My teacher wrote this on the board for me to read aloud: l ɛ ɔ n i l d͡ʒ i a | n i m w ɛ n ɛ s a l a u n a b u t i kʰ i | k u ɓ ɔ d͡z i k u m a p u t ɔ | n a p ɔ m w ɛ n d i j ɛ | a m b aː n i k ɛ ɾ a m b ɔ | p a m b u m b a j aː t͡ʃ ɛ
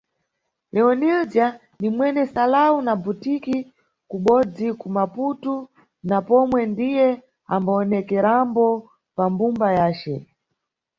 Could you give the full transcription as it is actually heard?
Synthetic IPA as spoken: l ɛ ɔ n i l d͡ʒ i a | n i m w ɛ n ɛ s a l a u n a b u t i k i | k u ɓ ɔ d͡z i k u m a p u t u | n a p ɔ m w ɛ n d i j ɛ | a m b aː n ɛ k ɛ ɾ a m b ɔ | p a m b u m b a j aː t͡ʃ ɛ